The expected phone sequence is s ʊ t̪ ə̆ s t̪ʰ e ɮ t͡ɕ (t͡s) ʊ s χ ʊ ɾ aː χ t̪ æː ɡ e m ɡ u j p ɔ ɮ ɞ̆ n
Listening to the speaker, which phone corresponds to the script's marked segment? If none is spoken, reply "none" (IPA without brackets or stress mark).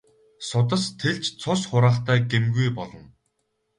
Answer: t͡sʰ